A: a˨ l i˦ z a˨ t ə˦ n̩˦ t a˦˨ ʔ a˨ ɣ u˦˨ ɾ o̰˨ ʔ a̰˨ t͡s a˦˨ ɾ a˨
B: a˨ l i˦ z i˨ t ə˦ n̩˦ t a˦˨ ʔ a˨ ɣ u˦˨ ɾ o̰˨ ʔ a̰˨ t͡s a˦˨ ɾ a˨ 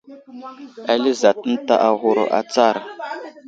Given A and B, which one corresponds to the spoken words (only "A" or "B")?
A